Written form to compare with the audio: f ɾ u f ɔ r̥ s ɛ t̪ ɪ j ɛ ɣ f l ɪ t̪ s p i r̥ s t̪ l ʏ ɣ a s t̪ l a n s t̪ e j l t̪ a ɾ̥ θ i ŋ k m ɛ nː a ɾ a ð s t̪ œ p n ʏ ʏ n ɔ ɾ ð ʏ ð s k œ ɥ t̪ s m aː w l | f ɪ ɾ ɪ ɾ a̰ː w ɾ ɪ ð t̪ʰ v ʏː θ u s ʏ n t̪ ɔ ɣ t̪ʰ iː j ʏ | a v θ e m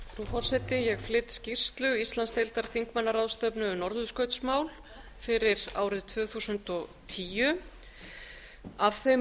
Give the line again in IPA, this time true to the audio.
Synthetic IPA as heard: f ɾ u f ɔ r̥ s ɛ t̪ ɪ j ɛ ɣ f l ɪ t̪ s c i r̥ s t̪ l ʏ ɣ i s t̪ l a n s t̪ e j l t̪ a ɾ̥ θ i ŋ k m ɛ nː a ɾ a ð s t̪ œ p n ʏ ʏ n ɔ ɾ ð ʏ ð s k œ ɥ t̪ s m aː w l | f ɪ ɾ ɪ ɾ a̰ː w ɾ ɪ ð t̪ʰ v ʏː θ u s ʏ n t̪ ɔ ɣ t̪ʰ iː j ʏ | a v θ e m